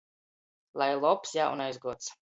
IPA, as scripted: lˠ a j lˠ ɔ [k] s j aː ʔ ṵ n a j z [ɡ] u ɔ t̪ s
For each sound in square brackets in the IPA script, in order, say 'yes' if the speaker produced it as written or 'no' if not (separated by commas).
no, yes